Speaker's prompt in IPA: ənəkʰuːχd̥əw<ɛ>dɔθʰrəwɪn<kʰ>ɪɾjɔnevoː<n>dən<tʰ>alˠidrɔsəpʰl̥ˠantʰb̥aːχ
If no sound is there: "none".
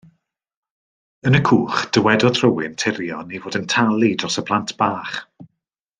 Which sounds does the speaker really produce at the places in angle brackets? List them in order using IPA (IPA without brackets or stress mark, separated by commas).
ɛ, tʰ, none, tʰ